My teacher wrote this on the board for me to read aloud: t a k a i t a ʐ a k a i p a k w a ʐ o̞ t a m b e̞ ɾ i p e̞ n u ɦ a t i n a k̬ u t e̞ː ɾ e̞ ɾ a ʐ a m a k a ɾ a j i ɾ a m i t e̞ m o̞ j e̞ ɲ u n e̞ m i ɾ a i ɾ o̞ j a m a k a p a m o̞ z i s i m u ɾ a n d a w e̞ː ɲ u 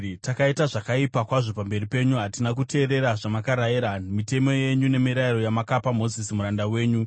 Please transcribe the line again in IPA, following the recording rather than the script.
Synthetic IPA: t a k a i t a ʐ a k a i p a k w a ʐ o̞ p a m b e̞ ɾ i p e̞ ɲ u ɦ a t i n a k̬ u t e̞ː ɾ e̞ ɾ a ʐ a m a k a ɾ a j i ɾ a m i t e̞ m o̞ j e̞ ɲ u n e̞ m i ɾ a i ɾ o̞ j a m a k a p a m o̞ z i s i m u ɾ a n d a w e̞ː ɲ u